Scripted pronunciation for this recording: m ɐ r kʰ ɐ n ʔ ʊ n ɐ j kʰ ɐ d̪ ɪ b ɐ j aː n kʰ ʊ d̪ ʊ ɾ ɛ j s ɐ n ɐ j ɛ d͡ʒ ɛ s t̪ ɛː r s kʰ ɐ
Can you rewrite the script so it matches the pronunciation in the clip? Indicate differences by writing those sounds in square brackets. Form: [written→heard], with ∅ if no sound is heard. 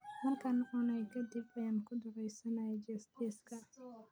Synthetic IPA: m ɐ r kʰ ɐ n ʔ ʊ n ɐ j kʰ ɐ d̪ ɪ b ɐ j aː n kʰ ʊ d̪ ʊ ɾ ɛ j s ɐ n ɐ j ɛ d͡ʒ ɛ s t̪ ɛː [r→∅] s kʰ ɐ